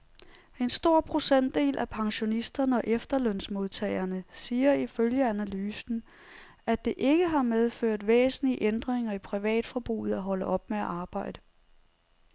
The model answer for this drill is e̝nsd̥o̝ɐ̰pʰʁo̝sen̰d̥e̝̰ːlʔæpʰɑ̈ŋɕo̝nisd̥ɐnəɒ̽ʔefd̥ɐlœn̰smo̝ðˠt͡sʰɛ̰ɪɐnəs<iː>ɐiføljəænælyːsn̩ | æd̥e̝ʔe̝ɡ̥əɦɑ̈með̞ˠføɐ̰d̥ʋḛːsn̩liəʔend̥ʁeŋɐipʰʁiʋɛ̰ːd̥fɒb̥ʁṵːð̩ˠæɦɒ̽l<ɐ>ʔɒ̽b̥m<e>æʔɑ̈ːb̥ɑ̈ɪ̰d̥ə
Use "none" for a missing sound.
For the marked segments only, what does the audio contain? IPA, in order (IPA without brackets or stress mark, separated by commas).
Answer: iː, ə, e